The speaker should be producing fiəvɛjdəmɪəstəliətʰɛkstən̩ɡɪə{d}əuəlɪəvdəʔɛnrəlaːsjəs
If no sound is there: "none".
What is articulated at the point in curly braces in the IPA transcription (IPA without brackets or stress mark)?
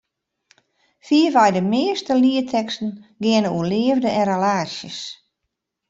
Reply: n